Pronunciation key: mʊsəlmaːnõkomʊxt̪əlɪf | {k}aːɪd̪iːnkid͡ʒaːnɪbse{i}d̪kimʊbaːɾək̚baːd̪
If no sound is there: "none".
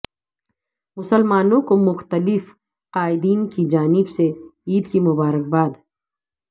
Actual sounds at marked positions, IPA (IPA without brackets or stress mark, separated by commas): q, iː